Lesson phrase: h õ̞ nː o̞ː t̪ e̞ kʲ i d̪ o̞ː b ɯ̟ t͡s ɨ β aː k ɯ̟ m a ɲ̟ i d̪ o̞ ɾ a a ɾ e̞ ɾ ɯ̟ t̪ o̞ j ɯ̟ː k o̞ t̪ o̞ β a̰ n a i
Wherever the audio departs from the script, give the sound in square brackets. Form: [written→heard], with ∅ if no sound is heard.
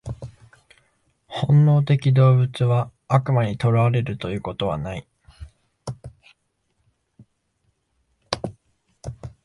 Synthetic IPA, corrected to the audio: h õ̞ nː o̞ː t̪ e̞ kʲ i d̪ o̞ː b ɯ̟ t͡s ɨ β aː k ɯ̟ m a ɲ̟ i [d̪→t̪] o̞ ɾ a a ɾ e̞ ɾ ɯ̟ t̪ o̞ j ɯ̟ː k o̞ t̪ o̞ β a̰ n a i